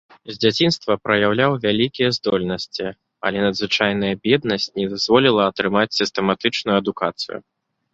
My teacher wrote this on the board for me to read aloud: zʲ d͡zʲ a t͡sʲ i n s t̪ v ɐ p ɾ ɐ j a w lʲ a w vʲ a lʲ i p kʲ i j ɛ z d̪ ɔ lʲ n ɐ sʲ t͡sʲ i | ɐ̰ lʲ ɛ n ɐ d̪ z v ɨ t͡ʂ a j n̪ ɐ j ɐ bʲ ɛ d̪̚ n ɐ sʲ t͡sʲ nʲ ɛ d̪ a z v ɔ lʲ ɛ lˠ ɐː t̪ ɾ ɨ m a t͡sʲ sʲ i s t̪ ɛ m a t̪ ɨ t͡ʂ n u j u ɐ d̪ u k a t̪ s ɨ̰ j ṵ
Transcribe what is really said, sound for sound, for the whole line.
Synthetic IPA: zʲ d͡zʲ a t͡sʲ i n s t̪ v ɐ p ɾ ɐ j a w lʲ a w vʲ a lʲ i kʲ i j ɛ z d̪ ɔ lʲ n ɐ sʲ t͡sʲ i | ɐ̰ lʲ ɛ n ɐ d̪ z v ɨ t͡ʂ a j n̪ ɐ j ɐ bʲ ɛ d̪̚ n ɐ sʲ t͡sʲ nʲ ɛ d̪ a z v ɔ lʲ i lˠ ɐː t̪ ɾ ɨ m a t͡sʲ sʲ i s t̪ ɛ m a t̪ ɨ t͡ʂ n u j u ɐ d̪ u k a t̪ s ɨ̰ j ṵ